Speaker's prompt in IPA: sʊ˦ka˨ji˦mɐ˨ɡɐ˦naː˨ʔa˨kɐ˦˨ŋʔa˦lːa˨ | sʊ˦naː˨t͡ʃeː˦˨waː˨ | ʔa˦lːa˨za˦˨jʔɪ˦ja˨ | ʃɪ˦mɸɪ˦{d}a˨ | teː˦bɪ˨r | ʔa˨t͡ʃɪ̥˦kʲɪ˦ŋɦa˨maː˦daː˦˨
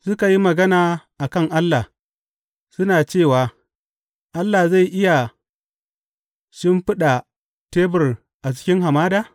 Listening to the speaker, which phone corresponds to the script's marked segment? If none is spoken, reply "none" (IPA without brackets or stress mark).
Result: ɗ